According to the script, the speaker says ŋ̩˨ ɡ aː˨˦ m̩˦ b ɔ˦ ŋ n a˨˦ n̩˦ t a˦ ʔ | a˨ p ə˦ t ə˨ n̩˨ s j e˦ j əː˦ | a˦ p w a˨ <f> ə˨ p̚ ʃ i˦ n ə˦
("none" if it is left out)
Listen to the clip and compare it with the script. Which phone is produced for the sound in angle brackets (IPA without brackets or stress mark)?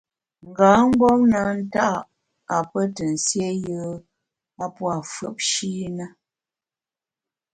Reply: f